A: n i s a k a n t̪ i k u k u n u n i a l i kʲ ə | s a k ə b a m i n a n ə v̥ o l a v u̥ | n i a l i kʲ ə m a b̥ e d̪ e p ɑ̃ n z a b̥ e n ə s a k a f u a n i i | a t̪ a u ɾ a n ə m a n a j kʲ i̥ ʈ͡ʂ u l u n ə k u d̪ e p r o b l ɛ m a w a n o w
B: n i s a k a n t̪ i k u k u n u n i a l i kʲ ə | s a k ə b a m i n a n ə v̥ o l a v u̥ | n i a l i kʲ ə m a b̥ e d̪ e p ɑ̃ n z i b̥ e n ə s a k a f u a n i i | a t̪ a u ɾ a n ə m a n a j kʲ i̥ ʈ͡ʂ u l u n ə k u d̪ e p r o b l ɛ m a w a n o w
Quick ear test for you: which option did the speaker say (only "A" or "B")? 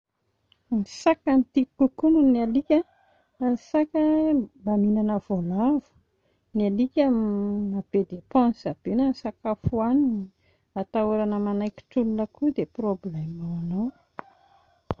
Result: A